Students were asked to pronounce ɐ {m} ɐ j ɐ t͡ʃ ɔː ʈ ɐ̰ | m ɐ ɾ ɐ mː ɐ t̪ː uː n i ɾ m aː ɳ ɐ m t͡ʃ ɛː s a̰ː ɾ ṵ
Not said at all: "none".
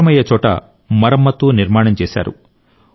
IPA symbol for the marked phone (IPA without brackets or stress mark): m